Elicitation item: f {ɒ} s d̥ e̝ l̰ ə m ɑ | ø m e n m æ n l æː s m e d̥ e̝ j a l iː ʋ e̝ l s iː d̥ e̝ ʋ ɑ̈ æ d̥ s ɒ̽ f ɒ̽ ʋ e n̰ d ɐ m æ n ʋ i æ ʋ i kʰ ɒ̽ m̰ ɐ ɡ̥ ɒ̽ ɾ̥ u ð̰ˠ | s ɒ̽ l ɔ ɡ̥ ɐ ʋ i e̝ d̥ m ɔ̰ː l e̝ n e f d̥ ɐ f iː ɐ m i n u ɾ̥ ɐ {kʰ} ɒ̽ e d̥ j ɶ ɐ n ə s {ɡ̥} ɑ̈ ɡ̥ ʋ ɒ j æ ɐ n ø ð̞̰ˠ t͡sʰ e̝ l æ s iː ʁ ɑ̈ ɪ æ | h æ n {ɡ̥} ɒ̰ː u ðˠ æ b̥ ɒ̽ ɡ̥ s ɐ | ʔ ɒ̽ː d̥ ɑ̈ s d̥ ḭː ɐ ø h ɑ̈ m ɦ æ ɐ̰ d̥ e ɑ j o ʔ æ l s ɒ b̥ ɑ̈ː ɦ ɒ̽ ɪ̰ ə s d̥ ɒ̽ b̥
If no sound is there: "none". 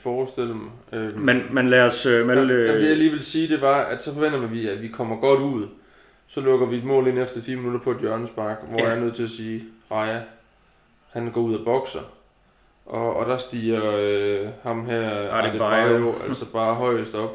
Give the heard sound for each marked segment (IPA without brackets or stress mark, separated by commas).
ɒː, pʰ, b̥, ɡ̥